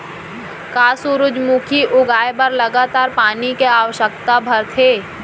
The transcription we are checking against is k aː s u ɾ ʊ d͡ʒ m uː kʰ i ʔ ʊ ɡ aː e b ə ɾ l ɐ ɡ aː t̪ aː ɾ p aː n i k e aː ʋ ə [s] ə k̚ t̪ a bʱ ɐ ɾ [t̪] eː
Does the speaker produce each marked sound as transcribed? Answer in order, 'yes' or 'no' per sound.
no, no

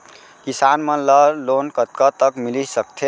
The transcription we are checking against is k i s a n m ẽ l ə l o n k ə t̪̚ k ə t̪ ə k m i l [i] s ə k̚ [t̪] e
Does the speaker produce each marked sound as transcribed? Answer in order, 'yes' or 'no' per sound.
yes, no

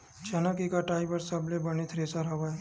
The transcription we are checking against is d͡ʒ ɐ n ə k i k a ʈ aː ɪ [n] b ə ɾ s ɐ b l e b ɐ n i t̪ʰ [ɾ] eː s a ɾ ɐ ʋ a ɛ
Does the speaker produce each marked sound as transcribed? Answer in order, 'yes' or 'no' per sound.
no, yes

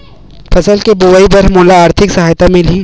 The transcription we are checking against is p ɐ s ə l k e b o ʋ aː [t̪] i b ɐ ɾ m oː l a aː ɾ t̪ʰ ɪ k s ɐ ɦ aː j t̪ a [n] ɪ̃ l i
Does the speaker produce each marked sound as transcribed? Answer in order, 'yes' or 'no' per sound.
no, no

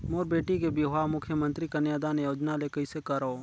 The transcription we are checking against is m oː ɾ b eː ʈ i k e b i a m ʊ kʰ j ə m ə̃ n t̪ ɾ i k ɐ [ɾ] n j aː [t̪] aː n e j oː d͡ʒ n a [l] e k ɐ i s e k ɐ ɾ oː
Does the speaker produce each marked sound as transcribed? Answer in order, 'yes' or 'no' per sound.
no, no, yes

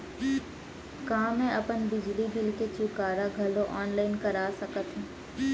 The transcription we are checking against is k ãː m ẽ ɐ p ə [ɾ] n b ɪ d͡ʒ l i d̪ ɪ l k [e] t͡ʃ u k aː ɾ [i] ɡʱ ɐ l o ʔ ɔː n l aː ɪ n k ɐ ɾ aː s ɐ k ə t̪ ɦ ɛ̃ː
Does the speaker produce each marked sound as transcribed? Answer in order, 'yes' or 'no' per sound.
no, yes, no

